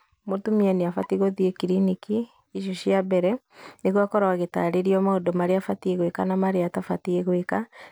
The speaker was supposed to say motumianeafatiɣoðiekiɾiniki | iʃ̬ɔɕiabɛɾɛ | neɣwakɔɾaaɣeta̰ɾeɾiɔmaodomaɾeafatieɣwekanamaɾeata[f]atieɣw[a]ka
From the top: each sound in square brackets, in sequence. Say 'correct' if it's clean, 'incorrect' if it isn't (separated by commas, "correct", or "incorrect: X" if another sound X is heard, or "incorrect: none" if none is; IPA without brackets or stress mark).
correct, incorrect: e